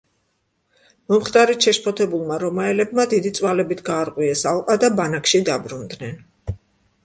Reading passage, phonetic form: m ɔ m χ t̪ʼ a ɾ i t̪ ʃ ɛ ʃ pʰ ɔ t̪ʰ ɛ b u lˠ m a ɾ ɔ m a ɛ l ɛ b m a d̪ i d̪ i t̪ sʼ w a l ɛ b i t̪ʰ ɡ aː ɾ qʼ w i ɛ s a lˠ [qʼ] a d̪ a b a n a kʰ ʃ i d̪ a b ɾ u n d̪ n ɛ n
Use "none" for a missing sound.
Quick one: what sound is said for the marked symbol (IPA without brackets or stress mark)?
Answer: qʼ